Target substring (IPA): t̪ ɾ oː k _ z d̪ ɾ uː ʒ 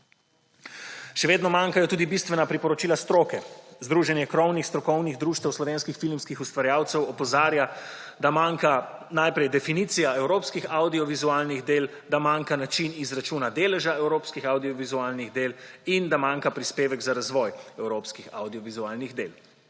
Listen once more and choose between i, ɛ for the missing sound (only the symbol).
ɛ